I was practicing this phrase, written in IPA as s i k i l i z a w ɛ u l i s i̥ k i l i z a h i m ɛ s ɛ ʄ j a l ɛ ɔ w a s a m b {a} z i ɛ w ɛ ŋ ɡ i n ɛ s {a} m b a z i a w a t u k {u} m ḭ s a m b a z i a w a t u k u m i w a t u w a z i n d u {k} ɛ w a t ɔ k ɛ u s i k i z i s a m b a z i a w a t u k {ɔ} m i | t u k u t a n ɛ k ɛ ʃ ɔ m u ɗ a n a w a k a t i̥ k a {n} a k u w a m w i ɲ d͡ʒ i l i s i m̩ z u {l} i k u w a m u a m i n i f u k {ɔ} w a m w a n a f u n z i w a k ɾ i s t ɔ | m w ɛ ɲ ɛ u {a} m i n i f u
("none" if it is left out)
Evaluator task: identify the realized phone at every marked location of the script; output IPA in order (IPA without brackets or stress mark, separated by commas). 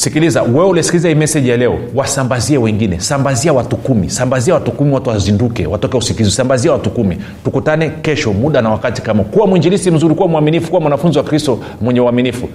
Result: a, a, u, k, u, m, ɾ, u, a